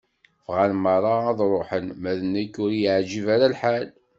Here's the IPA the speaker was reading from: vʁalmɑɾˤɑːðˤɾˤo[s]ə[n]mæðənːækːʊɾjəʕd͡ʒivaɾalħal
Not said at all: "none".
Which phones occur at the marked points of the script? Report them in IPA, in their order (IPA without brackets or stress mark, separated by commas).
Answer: ħ, n